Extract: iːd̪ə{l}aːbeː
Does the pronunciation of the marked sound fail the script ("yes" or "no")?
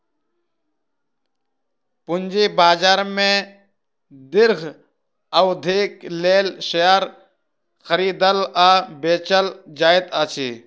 no